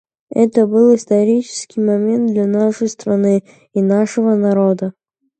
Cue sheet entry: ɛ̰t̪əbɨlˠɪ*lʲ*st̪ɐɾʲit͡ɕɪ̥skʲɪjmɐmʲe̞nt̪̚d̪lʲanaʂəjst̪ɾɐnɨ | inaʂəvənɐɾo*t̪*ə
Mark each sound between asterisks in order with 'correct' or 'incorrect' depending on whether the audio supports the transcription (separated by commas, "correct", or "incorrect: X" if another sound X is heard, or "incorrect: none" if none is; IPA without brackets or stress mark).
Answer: incorrect: none, incorrect: d̪